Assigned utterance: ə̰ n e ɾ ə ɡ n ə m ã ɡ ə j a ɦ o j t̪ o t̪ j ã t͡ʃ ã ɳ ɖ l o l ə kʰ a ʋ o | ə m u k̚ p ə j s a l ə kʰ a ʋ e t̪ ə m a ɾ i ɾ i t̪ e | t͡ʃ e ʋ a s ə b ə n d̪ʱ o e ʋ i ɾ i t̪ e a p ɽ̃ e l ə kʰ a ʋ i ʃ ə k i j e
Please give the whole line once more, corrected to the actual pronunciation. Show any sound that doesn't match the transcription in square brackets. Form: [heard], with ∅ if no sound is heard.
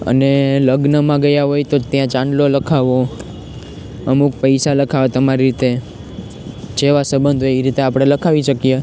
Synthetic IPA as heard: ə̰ n e [l] ə ɡ n ə m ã ɡ ə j a ɦ o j t̪ o t̪ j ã t͡ʃ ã ɳ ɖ l o l ə kʰ a ʋ o | ə m u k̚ p ə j s a l ə kʰ a ʋ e t̪ ə m a ɾ i ɾ i t̪ e | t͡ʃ e ʋ a s ə b ə n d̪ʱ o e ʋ i ɾ i t̪ e a p ɽ̃ e l ə kʰ a ʋ i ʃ ə k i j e